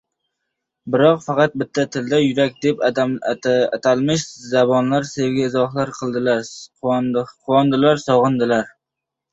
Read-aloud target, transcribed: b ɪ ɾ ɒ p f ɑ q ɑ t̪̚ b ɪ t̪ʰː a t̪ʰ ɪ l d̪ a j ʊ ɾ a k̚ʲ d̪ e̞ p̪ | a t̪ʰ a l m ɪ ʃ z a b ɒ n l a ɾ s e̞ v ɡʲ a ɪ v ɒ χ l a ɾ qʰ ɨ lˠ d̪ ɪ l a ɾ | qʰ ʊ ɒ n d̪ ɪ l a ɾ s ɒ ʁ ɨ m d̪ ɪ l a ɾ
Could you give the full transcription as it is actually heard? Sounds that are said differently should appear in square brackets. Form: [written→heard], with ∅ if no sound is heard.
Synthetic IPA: b ɪ ɾ ɒ [p→q] f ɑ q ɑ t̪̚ b ɪ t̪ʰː a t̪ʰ ɪ l d̪ a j ʊ ɾ a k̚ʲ d̪ e̞ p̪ | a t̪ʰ a l m ɪ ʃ z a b ɒ n l a ɾ s e̞ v ɡʲ a ɪ [v→z] ɒ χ l a ɾ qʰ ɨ lˠ d̪ ɪ l a ɾ | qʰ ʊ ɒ n d̪ ɪ l a ɾ s ɒ ʁ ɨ [m→n] d̪ ɪ l a ɾ